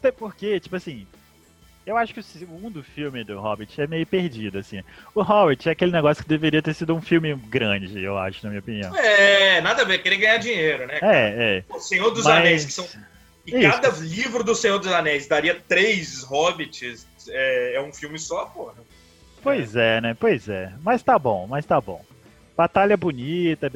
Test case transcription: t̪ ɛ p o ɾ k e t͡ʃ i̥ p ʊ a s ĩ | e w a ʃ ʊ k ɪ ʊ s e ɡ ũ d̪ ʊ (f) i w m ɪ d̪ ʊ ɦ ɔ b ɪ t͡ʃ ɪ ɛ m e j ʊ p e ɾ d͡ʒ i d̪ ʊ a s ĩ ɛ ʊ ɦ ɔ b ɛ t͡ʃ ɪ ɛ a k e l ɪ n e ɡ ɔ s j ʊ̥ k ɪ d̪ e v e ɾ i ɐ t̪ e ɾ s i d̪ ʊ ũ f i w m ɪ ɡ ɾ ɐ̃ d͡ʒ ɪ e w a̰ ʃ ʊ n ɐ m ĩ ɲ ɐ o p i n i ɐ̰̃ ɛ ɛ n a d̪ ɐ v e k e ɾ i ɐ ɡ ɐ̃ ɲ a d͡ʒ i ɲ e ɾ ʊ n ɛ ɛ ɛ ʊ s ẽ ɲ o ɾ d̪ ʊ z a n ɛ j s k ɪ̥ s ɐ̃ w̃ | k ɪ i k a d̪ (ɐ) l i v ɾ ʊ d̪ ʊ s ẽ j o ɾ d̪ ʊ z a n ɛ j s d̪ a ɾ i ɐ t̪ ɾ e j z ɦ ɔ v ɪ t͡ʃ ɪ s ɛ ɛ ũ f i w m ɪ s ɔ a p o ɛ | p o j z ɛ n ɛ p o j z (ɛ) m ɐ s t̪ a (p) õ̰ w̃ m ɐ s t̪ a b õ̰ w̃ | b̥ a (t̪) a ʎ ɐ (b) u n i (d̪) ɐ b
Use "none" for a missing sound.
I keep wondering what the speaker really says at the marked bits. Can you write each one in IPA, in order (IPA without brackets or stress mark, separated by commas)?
f, ɐ, ɛ, b, t̪, b, t̪